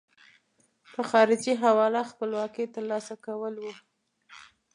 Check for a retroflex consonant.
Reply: absent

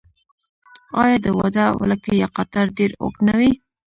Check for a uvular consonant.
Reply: present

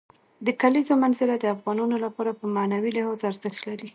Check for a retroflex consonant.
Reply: absent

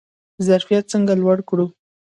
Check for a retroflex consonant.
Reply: present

